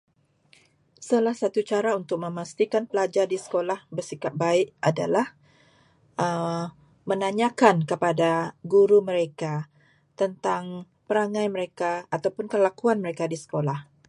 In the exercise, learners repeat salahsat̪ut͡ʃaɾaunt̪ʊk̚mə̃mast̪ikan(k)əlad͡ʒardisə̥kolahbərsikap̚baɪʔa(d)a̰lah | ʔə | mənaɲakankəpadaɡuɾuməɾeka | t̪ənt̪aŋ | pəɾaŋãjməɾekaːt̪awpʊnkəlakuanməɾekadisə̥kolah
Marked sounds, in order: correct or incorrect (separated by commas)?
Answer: incorrect, correct